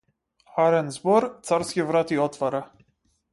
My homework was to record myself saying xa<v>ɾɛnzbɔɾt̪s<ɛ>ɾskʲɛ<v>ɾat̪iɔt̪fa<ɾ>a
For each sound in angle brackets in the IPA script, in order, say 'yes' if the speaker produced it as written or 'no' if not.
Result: no, no, yes, yes

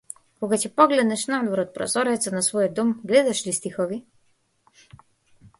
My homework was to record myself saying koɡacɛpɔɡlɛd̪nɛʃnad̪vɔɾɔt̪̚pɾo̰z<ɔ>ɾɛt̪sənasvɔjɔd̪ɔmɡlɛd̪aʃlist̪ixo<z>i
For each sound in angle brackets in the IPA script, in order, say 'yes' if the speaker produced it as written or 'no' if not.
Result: yes, no

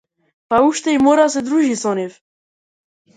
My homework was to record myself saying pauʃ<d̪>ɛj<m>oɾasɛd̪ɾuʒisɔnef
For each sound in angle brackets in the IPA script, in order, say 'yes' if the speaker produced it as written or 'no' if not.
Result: no, yes

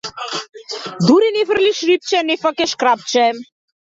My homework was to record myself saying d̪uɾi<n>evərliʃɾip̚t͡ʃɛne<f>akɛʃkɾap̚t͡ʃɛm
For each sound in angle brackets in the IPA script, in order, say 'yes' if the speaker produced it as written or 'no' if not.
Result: yes, yes

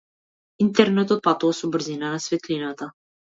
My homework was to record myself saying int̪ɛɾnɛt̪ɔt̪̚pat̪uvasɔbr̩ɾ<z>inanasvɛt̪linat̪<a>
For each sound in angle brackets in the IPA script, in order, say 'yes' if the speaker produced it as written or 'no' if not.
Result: yes, yes

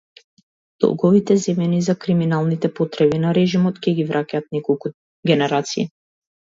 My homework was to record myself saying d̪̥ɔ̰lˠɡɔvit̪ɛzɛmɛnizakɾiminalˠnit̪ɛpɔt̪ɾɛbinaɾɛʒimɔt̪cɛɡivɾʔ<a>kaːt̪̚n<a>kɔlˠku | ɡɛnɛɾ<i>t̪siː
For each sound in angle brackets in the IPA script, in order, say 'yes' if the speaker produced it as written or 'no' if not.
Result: yes, no, no

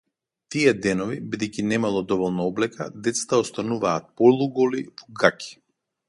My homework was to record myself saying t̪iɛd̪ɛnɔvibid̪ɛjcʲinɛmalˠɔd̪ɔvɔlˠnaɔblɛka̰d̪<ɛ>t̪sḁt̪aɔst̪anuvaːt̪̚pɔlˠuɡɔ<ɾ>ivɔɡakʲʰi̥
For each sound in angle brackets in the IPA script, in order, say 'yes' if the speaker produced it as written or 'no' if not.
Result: yes, no

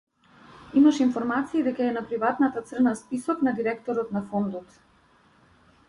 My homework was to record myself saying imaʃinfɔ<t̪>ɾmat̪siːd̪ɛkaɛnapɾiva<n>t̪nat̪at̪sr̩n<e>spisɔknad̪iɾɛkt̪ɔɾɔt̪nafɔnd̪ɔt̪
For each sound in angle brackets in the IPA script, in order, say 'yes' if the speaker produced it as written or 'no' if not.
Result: no, no, no

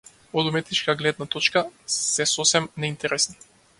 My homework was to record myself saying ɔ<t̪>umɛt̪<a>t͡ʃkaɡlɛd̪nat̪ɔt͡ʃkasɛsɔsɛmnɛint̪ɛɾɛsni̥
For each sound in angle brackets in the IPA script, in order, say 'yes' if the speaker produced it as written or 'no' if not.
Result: no, no

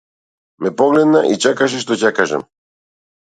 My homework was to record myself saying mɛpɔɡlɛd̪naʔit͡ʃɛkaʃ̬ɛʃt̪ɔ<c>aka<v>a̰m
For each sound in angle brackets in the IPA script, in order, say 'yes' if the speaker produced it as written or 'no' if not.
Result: yes, no

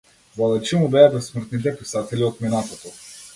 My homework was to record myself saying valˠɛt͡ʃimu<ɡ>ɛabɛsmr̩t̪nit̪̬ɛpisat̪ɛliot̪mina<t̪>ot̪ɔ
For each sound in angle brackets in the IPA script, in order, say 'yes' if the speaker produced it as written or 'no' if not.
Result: no, yes

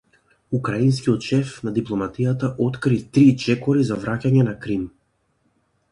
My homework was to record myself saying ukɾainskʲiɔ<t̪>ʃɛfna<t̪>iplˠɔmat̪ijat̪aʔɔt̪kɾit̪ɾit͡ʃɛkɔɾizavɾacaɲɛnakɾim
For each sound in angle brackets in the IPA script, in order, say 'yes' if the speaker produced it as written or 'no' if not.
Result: yes, no

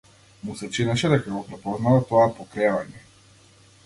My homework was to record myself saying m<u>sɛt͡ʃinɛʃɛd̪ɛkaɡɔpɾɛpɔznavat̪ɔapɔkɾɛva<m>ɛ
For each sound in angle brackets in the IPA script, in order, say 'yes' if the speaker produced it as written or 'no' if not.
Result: yes, no

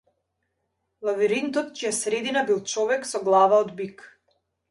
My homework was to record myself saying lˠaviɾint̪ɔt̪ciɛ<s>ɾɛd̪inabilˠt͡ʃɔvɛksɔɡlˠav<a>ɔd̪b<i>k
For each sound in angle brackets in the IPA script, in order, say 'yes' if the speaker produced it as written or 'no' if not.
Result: yes, yes, yes

